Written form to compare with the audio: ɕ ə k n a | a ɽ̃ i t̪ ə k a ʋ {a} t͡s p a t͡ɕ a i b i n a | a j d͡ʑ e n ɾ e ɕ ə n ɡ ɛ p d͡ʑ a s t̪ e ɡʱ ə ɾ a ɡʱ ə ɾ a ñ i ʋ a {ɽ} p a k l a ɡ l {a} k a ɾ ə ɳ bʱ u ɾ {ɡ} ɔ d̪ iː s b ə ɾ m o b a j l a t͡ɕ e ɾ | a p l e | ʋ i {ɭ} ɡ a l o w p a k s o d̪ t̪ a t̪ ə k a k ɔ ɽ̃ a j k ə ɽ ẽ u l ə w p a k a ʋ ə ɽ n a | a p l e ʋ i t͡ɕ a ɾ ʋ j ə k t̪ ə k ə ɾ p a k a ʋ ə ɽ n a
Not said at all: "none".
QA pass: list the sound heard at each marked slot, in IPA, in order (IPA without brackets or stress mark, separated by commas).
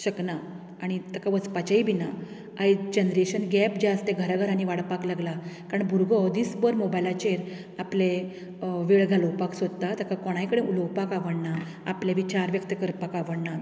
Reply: ə, ɽ, a, ɡ, ɭ